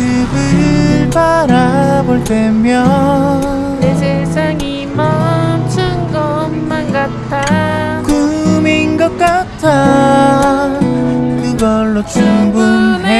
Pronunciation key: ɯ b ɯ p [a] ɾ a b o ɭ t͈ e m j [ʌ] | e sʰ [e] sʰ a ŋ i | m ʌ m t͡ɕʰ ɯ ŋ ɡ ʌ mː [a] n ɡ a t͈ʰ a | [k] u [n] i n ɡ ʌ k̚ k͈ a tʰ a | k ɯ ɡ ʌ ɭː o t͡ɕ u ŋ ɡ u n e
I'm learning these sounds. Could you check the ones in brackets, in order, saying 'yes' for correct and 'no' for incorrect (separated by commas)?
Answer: yes, yes, yes, yes, yes, no